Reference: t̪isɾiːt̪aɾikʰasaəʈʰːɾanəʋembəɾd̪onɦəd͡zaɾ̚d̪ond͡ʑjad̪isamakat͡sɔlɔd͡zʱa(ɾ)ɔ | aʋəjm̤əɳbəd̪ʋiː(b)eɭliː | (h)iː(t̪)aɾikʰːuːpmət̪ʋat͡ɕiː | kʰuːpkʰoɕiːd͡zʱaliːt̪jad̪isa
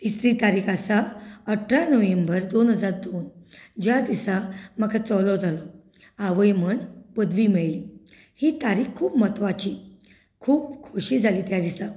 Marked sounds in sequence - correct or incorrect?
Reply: incorrect, incorrect, correct, correct

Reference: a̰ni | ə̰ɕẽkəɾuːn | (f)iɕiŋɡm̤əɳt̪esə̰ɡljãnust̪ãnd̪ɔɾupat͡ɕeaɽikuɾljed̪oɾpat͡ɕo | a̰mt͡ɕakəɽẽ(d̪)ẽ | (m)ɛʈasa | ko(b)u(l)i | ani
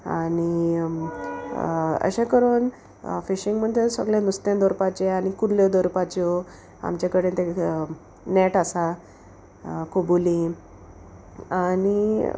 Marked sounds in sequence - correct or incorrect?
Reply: correct, incorrect, incorrect, correct, correct

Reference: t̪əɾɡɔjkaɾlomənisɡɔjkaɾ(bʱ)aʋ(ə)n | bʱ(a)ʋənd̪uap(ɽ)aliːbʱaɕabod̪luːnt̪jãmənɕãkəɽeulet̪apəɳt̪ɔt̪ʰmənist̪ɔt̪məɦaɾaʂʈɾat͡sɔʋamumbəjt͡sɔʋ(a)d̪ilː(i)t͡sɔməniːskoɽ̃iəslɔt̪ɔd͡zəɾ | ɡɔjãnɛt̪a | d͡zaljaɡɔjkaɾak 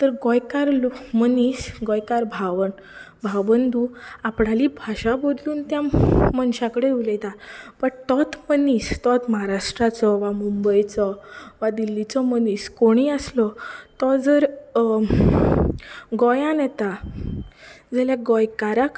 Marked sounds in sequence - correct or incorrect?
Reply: correct, correct, correct, correct, correct, correct

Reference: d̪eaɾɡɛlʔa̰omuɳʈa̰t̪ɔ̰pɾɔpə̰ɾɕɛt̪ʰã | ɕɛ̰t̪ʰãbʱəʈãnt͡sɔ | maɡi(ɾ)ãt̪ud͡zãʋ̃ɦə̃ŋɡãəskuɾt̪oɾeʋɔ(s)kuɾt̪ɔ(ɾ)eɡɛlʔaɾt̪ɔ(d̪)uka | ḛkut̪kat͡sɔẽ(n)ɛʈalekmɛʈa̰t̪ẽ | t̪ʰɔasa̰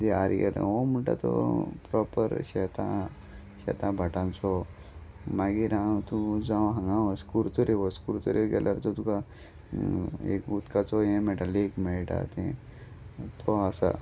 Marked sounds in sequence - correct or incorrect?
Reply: correct, correct, correct, incorrect, incorrect

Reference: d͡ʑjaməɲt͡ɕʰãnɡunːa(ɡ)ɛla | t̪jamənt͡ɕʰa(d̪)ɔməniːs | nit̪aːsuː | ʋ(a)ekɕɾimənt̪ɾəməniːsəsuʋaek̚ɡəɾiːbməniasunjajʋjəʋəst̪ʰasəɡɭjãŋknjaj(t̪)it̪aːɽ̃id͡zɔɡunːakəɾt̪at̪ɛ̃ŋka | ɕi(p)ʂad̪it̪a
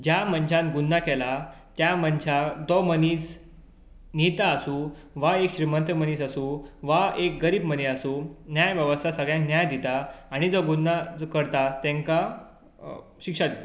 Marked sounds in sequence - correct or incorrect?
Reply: incorrect, correct, correct, incorrect, incorrect

